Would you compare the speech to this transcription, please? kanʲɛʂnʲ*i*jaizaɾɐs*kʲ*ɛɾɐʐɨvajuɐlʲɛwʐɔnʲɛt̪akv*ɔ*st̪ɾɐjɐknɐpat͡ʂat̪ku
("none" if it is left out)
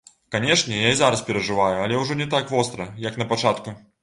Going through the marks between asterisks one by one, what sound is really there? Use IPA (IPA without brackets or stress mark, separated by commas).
ɛ, pʲ, ɔ